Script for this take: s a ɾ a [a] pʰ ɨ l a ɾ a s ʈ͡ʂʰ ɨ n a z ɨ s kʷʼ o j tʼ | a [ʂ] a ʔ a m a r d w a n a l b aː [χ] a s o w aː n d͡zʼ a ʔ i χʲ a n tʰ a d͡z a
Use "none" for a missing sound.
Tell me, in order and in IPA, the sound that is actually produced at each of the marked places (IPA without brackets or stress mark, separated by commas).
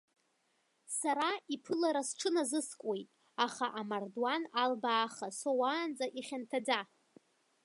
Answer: i, χ, χ